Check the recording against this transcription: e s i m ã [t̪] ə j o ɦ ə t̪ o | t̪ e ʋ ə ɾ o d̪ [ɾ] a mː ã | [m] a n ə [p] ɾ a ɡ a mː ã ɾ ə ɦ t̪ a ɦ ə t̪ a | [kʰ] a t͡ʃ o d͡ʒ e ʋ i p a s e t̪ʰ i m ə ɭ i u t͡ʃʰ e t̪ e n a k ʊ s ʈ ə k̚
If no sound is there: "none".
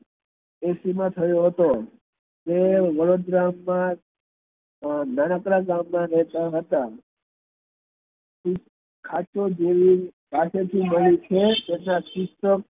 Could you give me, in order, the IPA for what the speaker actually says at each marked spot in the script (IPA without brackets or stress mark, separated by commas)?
t̪ʰ, ɾ, n, k, kʰ